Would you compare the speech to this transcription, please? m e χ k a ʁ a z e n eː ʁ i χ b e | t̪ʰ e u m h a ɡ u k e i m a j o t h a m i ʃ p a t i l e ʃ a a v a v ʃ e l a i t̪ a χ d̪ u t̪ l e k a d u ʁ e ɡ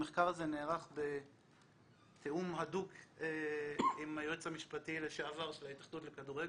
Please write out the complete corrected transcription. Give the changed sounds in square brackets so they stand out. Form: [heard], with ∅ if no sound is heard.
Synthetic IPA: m e χ k a ʁ a z e n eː ʁ [a] χ b e | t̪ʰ e u m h a [d] u k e i m a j o [t͡s] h a m i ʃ p a t i l e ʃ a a v a [ʁ] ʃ e l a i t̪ a χ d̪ u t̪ l e k a d u ʁ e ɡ